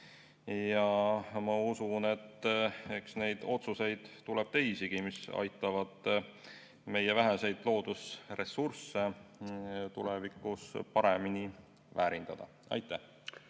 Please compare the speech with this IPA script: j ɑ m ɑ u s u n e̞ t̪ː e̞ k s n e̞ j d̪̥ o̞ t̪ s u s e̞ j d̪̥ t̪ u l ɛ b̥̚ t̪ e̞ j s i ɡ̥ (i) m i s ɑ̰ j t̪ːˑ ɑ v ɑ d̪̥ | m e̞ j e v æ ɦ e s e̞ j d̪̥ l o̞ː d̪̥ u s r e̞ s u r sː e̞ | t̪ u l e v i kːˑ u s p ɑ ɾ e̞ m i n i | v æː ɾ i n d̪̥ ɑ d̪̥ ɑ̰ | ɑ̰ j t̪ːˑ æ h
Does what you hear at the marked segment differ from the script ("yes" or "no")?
no